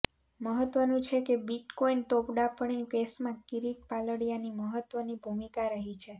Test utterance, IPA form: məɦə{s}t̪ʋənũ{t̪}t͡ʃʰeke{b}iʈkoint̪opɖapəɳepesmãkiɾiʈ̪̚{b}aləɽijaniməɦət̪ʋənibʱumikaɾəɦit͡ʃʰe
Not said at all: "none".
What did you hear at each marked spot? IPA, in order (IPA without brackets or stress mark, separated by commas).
none, none, b, p